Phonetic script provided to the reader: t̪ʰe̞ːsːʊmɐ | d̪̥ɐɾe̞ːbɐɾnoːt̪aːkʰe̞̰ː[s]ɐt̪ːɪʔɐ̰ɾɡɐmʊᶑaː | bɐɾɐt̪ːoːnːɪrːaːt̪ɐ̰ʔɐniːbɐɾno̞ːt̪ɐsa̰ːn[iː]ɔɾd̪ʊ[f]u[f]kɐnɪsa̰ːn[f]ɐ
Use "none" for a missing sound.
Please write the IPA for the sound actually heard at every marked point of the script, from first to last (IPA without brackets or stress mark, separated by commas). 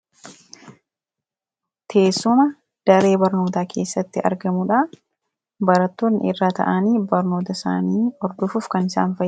sː, iː, f, f, f